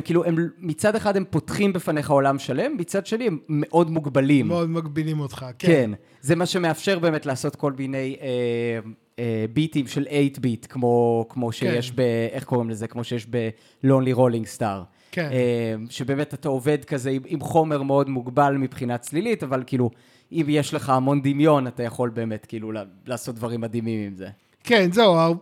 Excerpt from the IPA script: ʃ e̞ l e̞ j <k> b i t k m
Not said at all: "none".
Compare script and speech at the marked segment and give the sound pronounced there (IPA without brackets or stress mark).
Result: t